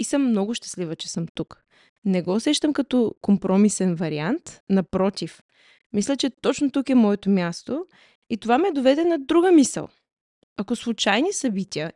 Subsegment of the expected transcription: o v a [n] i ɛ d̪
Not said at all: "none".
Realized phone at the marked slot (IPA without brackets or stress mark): m